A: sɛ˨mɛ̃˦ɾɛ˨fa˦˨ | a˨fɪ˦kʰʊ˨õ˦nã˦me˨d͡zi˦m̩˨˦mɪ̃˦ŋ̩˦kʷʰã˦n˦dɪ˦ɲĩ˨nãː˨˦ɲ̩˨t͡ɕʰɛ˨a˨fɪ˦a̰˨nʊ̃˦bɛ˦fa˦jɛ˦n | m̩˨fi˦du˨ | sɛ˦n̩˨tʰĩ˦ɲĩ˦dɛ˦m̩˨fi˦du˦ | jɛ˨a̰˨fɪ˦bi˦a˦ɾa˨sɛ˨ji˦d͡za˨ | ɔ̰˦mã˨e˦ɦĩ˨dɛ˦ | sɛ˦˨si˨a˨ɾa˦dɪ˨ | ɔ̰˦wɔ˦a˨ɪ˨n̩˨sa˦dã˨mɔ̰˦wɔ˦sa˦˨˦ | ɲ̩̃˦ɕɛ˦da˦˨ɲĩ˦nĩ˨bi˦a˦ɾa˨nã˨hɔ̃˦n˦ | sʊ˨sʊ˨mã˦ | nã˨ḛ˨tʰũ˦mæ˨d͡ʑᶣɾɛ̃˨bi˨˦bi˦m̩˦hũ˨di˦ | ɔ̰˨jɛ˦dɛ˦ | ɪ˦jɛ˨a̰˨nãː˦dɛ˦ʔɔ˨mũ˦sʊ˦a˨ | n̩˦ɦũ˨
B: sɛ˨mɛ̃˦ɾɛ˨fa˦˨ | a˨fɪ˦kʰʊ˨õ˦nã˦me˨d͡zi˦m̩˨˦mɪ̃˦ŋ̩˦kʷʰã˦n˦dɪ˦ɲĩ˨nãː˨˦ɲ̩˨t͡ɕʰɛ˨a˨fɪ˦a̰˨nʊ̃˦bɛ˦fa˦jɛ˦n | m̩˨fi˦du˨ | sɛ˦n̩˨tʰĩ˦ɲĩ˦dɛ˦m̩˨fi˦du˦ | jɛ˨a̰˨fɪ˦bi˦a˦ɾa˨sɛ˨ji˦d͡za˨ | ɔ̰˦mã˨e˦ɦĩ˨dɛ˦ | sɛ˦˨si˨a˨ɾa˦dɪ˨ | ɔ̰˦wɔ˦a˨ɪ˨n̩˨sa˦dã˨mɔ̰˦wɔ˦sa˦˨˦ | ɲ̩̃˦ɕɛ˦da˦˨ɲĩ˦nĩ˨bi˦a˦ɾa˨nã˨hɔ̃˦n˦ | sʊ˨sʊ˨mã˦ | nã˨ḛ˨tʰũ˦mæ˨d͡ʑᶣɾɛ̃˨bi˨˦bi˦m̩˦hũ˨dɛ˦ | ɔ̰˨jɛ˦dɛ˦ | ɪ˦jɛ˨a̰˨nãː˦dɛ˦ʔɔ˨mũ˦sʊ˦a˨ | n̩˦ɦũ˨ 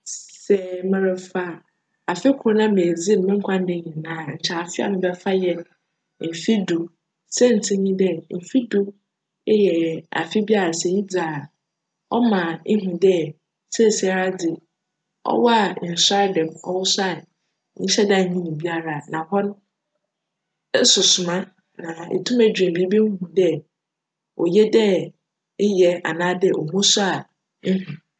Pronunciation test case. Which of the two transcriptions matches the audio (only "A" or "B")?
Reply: B